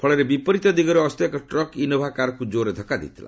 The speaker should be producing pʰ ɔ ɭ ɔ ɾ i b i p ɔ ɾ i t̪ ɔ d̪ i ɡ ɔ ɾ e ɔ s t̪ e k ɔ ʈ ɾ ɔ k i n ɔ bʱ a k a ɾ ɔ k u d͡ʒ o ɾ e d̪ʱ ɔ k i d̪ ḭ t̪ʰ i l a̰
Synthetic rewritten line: pʰ ɔ ɭ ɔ ɾ e b i p ɔ ɾ i t̪ ɔ d̪ i ɡ ɔ ɾ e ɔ s t̪ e k ɔ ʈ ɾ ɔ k i n ɔ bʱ a k a ɾ ɔ k u d͡ʒ o ɾ e d̪ʱ ɔ k a d̪ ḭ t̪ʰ i l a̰